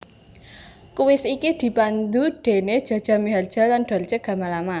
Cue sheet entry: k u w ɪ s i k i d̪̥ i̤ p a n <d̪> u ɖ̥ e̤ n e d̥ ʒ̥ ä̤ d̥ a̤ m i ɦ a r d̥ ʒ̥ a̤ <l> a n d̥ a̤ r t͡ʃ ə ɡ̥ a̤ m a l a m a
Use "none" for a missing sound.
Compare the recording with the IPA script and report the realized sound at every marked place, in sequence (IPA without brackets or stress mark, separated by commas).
d̪, l